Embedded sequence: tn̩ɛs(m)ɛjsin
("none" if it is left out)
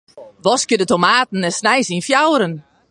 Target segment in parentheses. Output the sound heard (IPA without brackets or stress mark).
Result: n